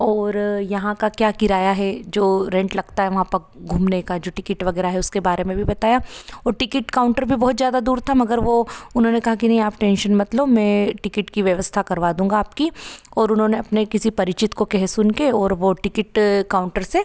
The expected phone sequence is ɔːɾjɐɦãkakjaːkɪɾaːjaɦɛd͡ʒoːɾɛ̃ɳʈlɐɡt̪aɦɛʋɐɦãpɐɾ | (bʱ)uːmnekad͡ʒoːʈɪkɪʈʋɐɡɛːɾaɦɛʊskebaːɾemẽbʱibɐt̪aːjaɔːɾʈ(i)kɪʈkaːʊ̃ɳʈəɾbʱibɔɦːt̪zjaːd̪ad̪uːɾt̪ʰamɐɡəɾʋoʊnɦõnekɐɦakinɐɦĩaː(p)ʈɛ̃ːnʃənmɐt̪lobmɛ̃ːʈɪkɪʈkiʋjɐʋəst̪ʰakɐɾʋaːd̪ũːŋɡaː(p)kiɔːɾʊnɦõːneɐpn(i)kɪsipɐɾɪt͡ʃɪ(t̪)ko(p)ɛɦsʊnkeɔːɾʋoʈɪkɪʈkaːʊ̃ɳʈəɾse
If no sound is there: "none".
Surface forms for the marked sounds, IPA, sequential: ɡʱ, ɪ, p, p, e, t̪, k

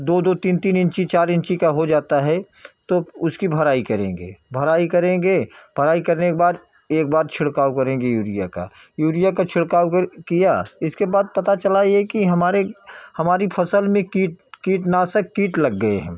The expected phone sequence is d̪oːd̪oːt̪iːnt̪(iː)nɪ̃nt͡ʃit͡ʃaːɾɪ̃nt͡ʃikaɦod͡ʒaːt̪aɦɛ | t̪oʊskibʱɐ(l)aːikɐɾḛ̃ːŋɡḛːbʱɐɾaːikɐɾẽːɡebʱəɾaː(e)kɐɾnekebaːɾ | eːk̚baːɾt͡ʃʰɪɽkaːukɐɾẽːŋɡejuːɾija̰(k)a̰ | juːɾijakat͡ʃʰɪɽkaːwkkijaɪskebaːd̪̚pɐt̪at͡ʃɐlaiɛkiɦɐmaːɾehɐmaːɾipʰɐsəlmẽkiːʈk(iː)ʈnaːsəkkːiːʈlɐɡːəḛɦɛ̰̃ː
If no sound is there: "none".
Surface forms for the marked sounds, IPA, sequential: iː, ɾ, i, k, iː

